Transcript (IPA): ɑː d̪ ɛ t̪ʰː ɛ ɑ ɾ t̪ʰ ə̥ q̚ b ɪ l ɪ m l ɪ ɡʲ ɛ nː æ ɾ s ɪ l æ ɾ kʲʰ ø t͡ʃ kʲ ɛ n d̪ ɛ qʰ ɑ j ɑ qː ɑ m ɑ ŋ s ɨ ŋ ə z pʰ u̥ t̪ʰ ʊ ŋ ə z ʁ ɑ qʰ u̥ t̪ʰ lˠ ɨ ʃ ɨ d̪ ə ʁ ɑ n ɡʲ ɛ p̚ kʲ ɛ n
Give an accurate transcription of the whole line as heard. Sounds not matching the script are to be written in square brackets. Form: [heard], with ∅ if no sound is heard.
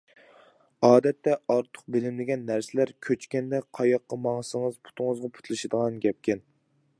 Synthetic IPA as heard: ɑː d̪ ɛ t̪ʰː ɛ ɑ ɾ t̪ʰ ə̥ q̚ b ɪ l ɪ m l ɪ ɡʲ ɛ nː æ ɾ s ɪ l æ ɾ kʲʰ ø t͡ʃ kʲ ɛ n d̪ ɛ qʰ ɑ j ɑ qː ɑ m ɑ ŋ s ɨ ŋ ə z pʰ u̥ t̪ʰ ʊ ŋ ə z ʁ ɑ [pʰ] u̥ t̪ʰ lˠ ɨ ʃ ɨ d̪ ə ʁ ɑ n ɡʲ ɛ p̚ kʲ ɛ n